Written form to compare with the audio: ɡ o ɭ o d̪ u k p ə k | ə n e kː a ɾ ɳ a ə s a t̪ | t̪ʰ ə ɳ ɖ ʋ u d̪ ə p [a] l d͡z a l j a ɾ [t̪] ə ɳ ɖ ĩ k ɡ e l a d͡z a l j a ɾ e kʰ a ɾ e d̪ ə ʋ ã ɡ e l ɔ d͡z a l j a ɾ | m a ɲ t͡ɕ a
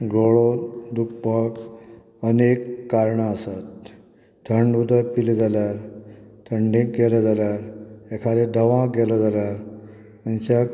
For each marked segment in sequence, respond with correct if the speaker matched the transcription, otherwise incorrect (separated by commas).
incorrect, incorrect